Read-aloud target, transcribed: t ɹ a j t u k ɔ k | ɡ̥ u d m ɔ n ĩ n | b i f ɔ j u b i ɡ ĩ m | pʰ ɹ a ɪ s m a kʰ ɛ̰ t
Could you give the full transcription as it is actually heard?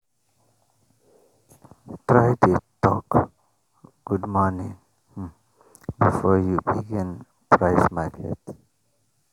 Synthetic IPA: t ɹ a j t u t ɔ k | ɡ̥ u d m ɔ n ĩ ŋ | b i f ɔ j u b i ɡ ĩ n | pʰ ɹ a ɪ s m a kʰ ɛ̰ t